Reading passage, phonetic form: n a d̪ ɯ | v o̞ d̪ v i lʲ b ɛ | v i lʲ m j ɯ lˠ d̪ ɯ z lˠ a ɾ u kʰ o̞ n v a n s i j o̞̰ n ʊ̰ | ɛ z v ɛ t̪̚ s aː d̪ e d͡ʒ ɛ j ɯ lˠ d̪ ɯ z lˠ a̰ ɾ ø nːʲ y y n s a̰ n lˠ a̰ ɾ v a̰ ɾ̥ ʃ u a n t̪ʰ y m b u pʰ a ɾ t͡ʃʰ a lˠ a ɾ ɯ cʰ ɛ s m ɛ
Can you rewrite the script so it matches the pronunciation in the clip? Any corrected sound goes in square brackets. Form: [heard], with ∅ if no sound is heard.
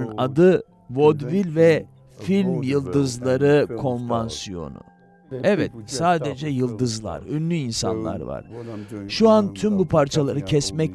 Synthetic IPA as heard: n a d̪ ɯ | v o̞ d̪ v i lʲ [v] ɛ | [f] i lʲ m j ɯ lˠ d̪ ɯ z lˠ a ɾ [ɯ] kʰ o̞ n v a n s i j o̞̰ n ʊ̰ | ɛ [∅] v ɛ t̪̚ s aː d̪ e d͡ʒ ɛ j ɯ lˠ d̪ ɯ z lˠ a̰ ɾ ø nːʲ y [i] n s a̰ n lˠ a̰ ɾ v a̰ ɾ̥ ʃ u a n t̪ʰ y m b u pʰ a ɾ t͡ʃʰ a lˠ a ɾ ɯ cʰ ɛ s m ɛ